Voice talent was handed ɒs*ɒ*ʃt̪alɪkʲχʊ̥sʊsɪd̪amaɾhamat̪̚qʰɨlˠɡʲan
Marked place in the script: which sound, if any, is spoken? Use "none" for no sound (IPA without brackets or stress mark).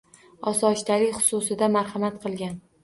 ɒ